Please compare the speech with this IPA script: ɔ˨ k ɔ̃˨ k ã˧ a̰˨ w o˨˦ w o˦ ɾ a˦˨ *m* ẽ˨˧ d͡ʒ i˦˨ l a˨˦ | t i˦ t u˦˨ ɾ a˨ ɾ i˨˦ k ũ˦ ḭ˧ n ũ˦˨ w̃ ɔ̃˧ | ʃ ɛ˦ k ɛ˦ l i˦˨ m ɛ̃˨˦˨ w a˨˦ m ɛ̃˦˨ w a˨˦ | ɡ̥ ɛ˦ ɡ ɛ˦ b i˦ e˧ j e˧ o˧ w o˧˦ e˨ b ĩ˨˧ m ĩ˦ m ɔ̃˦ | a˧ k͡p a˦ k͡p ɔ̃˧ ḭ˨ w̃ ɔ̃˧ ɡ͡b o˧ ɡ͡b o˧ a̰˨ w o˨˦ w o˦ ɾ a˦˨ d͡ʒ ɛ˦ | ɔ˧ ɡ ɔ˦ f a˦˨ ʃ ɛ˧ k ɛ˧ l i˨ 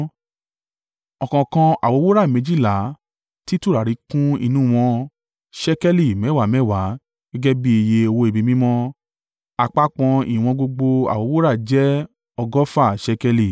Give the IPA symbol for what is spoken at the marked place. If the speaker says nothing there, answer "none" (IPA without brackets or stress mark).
m